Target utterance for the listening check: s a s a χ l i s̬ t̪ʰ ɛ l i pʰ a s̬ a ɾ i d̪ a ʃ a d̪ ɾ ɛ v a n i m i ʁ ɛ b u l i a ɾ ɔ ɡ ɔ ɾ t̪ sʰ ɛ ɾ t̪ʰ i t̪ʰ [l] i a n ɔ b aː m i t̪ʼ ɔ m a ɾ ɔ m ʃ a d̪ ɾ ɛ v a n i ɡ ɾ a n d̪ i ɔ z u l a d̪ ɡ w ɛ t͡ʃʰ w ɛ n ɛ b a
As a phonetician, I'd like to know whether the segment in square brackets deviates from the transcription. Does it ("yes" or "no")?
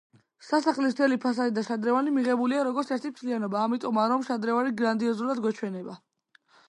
no